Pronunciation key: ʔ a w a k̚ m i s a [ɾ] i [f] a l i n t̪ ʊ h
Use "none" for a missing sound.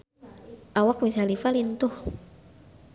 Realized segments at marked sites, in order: l, f

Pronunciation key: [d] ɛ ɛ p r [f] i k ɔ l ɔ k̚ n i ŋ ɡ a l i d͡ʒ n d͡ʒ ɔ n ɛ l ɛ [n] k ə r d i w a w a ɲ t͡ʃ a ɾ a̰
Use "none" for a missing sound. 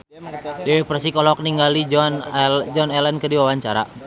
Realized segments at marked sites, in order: d, s, n

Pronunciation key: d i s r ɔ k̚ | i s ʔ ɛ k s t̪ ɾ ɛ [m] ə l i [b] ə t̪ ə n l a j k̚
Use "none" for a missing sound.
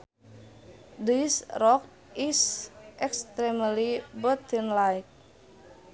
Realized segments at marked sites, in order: m, b

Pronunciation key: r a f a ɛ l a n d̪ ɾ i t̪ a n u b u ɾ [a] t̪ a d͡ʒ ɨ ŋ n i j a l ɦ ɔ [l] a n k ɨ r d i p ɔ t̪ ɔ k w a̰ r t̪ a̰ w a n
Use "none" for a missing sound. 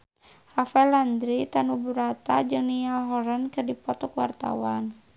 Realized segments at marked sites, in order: a, ɾ

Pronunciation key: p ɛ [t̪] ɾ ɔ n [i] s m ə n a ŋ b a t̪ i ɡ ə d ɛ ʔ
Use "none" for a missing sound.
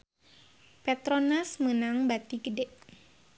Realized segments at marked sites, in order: t̪, a

